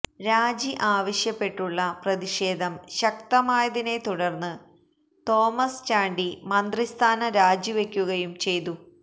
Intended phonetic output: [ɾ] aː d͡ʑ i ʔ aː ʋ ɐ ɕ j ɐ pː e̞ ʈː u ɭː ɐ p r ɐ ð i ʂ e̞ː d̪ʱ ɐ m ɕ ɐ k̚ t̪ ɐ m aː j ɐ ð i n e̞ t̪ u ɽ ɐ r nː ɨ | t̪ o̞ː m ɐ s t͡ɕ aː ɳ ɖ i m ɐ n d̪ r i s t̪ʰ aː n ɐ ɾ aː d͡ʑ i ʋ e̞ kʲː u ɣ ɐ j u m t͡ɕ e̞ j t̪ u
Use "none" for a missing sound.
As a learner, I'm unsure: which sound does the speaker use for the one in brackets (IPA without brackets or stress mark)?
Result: ɾ